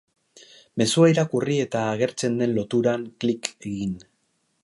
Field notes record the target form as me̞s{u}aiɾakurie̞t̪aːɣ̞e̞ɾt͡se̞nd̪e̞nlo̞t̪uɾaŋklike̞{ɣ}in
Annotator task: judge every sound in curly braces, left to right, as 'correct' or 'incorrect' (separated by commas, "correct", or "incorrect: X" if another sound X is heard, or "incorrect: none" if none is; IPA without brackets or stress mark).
correct, correct